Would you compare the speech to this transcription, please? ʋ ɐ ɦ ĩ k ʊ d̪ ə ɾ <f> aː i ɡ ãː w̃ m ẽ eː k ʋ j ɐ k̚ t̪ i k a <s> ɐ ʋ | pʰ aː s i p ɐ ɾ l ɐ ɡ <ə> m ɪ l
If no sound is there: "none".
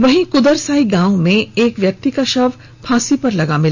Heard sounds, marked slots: s, ʃ, a

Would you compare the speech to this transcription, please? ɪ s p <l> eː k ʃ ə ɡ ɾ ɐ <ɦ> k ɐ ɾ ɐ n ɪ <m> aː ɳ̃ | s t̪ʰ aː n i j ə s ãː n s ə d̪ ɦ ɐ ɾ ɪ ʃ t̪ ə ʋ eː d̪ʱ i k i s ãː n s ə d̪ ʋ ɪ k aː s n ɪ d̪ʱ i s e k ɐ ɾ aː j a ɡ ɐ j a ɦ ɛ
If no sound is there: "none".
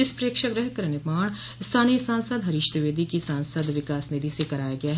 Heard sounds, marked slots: ɾ, ɦ, m

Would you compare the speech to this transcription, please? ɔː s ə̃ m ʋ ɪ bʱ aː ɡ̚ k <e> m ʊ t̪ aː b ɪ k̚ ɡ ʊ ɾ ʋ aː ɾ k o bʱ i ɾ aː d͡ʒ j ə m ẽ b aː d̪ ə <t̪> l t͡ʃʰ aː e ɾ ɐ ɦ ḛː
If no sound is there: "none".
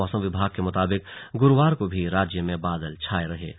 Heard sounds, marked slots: e, none

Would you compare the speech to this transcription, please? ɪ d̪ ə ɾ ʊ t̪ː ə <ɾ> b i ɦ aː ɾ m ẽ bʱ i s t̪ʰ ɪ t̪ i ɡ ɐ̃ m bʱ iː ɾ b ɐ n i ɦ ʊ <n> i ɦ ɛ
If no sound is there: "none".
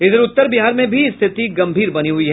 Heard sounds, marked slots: ɾ, none

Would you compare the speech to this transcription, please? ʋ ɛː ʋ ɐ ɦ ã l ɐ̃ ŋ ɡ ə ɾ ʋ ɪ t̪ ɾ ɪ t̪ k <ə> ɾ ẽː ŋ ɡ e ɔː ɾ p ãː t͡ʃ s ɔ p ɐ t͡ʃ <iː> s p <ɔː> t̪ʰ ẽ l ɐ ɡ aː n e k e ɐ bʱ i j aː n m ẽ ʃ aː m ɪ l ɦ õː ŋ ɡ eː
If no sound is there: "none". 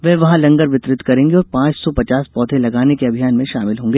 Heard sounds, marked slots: ɐ, aː, ɔː

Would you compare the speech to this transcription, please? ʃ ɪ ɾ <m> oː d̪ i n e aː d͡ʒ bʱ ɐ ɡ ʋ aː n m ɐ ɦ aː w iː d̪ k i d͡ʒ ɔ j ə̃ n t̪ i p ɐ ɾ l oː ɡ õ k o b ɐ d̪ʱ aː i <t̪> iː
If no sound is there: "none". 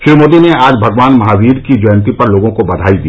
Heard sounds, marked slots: m, d̪

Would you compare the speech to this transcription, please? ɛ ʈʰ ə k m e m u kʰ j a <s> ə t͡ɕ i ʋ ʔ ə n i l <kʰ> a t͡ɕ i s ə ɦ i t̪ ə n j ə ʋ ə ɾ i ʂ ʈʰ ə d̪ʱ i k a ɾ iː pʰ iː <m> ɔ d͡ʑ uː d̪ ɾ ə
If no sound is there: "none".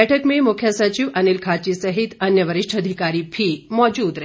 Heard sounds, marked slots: s, kʰ, m

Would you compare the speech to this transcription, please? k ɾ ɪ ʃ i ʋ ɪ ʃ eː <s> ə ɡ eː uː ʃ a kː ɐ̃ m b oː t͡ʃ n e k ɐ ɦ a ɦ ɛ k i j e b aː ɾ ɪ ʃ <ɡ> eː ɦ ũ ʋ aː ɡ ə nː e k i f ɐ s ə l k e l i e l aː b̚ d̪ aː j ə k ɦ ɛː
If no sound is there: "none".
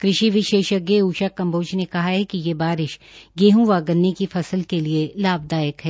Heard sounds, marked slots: ʃ, ɡ

